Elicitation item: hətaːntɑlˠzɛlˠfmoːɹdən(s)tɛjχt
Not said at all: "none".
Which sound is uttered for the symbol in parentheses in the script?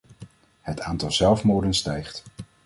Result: s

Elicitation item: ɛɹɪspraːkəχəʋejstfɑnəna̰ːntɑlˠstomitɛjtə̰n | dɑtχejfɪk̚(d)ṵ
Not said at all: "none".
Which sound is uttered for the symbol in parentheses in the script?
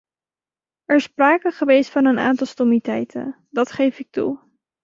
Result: t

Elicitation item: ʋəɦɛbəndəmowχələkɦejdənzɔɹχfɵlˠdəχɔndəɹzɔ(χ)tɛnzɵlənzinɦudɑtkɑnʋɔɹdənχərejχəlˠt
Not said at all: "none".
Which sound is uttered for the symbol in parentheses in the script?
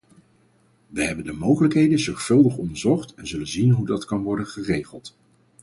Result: χ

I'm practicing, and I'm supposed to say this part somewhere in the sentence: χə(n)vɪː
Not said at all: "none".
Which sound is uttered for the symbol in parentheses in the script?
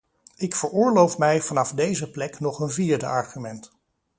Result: n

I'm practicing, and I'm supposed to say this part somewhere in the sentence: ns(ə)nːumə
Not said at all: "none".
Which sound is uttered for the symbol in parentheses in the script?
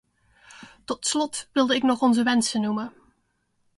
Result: ə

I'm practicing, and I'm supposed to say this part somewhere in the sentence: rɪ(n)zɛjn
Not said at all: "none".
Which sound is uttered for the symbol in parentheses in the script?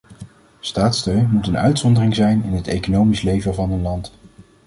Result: ŋ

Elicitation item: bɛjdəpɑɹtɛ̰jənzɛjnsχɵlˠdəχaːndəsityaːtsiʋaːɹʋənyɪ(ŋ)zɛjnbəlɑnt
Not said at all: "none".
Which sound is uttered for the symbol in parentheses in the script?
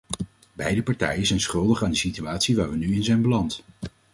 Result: n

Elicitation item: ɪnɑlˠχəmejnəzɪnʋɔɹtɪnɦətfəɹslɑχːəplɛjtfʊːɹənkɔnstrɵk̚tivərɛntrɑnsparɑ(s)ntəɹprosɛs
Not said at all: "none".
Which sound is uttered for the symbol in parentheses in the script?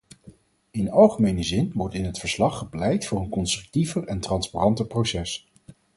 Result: none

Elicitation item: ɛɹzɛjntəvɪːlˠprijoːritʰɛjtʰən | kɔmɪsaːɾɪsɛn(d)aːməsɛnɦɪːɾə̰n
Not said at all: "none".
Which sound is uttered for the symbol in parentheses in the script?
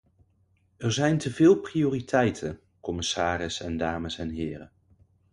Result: d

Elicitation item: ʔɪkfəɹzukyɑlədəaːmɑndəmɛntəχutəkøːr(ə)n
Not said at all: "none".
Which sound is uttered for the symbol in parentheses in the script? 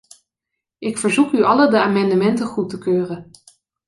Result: ə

